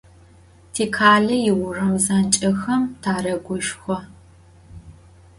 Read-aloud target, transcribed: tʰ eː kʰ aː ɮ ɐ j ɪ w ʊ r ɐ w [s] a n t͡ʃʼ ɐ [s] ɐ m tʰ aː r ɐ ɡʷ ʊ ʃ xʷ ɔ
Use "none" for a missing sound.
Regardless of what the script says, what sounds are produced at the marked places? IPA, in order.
z, x

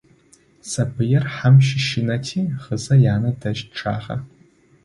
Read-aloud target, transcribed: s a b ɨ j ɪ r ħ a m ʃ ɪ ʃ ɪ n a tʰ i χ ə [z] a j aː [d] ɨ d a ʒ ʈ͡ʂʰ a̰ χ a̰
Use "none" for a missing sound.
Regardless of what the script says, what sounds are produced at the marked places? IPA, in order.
z, n

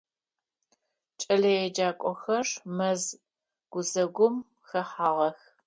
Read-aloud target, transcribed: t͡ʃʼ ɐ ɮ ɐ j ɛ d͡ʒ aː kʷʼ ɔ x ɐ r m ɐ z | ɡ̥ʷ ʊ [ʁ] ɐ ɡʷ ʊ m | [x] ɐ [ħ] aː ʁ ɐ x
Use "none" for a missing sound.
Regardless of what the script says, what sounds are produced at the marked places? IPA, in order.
z, x, ħ

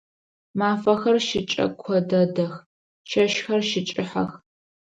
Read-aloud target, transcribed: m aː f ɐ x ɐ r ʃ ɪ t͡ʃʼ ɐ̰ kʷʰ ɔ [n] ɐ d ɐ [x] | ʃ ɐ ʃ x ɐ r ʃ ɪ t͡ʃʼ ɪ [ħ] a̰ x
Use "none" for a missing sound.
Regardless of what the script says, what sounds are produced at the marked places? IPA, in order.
d, x, ħ

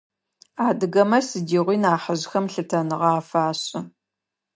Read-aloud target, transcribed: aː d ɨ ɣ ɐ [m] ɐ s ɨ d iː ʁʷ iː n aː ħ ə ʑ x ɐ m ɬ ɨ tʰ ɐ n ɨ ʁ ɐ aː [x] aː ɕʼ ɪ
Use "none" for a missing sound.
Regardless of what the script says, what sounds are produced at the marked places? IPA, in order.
m, f

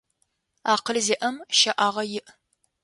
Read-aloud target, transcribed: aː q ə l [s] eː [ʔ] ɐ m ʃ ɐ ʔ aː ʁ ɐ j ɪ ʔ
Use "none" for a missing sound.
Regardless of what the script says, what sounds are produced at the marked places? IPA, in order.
z, ʔ

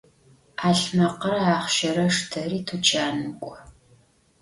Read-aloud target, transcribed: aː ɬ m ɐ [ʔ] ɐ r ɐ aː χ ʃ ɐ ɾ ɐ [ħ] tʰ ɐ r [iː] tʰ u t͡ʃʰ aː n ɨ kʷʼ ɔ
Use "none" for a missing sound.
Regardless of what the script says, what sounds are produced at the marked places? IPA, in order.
q, ʂ, iː

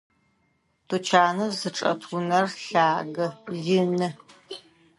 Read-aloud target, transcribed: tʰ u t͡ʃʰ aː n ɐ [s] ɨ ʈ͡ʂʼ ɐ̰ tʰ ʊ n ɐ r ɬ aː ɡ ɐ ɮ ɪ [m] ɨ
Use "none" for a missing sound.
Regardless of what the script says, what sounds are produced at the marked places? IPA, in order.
z, n

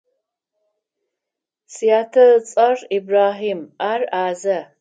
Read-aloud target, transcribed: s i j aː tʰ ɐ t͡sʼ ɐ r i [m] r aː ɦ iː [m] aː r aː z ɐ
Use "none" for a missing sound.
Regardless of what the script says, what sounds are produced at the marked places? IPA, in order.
b, m

